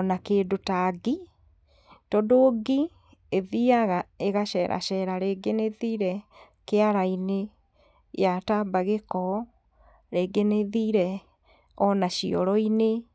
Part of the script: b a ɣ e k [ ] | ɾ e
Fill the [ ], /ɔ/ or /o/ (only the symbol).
ɔ